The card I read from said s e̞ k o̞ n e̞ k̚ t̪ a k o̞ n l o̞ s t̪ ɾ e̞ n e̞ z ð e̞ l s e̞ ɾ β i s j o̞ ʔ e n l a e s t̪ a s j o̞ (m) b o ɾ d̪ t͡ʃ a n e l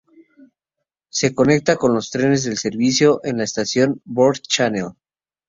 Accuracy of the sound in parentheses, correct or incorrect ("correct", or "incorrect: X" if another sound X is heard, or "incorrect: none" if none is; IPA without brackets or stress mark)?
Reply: incorrect: n